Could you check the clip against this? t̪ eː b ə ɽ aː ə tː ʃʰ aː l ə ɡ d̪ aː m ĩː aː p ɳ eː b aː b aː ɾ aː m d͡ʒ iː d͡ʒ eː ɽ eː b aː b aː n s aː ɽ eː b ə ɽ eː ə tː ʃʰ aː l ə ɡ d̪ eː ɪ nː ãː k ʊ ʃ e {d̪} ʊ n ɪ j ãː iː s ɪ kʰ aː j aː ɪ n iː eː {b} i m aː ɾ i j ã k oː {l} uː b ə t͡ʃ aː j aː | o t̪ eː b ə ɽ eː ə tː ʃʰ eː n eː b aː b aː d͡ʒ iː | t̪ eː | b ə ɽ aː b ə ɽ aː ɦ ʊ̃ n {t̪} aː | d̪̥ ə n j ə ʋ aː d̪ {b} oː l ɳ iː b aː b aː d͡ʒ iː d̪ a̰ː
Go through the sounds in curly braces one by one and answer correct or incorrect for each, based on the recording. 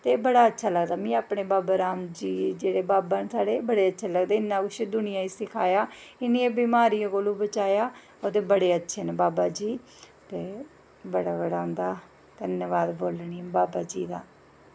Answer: correct, correct, correct, incorrect, correct

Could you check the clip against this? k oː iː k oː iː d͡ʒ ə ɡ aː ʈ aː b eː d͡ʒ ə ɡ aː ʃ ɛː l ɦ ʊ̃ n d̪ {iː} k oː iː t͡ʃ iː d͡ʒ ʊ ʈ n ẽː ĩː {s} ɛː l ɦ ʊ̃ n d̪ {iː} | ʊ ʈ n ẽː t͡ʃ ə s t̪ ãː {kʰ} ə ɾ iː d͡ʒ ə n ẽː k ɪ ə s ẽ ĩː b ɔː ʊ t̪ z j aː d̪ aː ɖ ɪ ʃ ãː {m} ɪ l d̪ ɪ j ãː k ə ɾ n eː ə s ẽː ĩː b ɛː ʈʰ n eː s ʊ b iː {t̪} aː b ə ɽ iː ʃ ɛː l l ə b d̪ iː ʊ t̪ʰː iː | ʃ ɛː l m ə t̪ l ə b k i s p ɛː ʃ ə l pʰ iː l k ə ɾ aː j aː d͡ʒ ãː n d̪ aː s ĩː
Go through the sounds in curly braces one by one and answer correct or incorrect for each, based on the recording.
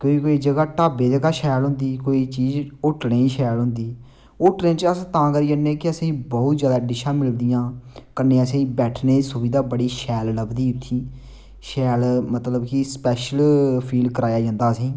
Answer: correct, incorrect, correct, incorrect, correct, incorrect

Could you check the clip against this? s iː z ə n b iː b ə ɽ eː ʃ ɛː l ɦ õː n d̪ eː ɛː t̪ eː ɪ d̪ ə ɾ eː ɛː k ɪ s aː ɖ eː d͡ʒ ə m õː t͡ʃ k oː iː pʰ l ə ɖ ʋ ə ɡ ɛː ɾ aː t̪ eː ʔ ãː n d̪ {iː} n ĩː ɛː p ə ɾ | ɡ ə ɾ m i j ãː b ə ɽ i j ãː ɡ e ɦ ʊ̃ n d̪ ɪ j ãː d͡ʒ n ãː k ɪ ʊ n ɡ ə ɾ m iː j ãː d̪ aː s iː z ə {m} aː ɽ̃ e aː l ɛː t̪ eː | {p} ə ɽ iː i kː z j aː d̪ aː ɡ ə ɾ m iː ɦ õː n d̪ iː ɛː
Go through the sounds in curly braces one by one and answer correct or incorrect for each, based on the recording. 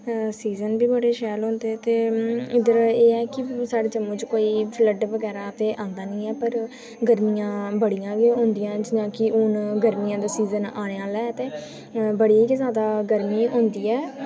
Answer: incorrect, incorrect, incorrect

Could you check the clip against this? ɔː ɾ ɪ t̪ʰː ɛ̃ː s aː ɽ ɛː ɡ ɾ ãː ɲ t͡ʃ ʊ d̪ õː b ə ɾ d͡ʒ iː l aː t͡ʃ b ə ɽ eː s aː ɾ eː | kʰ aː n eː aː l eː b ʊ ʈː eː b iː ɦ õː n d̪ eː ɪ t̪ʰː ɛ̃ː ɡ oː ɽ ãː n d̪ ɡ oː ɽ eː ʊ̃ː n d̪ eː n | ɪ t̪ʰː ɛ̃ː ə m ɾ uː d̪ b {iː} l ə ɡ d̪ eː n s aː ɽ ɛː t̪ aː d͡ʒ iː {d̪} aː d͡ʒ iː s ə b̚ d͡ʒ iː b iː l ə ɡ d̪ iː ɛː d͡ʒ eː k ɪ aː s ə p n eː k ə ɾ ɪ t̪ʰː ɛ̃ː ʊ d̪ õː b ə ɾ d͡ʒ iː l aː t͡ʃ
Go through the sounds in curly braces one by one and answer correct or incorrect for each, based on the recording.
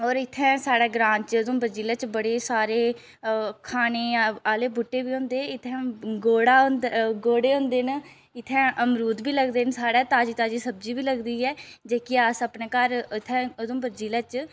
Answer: correct, incorrect

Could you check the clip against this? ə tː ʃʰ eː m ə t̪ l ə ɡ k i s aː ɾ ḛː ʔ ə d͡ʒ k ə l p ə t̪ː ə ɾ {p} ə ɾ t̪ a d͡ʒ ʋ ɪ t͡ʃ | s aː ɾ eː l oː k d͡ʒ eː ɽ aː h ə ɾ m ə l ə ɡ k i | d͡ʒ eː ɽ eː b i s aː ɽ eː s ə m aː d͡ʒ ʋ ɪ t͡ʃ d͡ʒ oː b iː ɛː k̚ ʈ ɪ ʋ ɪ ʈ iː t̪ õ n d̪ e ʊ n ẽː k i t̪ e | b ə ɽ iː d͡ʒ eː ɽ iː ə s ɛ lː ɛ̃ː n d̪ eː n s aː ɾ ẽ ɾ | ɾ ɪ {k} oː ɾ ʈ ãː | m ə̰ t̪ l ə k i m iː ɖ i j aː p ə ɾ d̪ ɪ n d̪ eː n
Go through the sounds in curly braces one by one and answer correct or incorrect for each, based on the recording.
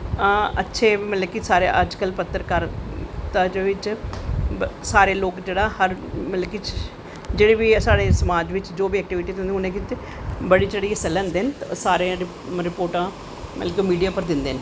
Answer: incorrect, incorrect

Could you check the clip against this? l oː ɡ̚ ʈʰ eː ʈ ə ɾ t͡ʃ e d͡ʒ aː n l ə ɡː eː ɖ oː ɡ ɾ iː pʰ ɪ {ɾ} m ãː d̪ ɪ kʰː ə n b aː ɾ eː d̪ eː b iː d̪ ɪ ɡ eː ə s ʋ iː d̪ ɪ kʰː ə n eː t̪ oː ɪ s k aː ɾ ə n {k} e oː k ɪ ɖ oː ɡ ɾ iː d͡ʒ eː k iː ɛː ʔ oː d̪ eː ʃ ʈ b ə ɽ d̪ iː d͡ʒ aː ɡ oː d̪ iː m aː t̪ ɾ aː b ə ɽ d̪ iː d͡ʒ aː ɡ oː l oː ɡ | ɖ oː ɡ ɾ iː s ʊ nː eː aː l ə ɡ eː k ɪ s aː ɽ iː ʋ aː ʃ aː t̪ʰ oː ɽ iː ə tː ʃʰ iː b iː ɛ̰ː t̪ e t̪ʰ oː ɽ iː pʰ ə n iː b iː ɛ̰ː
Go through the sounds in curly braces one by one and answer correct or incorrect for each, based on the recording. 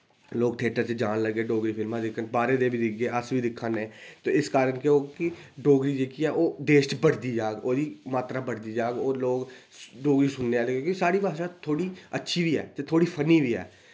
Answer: incorrect, correct

